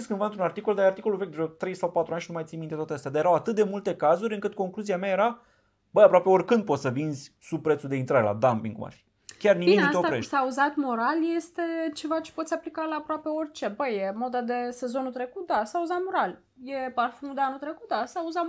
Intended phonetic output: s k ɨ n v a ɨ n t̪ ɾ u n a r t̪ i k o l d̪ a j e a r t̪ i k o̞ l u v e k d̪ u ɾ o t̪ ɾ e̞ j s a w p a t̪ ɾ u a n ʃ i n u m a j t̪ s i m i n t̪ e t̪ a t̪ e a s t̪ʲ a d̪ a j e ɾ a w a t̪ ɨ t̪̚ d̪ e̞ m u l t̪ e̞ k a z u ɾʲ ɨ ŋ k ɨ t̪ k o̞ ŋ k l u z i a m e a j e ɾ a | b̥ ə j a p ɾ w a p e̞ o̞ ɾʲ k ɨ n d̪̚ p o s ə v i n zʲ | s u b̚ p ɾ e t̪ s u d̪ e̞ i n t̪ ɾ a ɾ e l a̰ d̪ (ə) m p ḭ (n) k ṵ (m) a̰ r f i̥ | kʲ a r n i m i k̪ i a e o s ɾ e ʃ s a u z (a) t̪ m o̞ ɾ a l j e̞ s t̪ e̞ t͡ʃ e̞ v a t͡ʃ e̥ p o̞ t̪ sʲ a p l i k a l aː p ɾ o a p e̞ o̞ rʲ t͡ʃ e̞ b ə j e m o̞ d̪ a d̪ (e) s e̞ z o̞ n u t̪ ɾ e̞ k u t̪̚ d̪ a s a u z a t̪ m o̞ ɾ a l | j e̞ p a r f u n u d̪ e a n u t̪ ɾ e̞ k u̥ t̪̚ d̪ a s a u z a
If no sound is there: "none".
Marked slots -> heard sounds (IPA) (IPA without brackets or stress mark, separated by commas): a, ŋ, m, a, e